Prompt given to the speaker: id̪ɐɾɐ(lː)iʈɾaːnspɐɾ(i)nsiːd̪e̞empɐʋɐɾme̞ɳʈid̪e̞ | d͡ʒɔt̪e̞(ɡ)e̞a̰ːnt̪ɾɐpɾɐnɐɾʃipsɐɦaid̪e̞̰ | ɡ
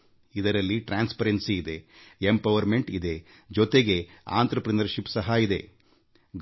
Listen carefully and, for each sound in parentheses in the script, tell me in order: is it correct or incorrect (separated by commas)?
correct, incorrect, correct